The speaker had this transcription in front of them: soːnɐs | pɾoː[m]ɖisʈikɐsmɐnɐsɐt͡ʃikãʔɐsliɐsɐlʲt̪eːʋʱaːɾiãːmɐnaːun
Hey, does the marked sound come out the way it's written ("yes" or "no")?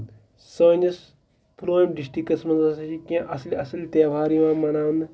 yes